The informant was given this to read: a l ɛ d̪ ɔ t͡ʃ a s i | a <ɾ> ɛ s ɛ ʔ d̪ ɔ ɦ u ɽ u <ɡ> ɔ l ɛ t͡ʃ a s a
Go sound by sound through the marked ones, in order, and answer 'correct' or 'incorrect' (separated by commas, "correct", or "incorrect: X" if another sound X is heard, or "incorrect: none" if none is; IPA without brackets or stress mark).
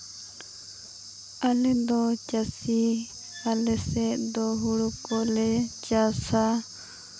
incorrect: l, incorrect: k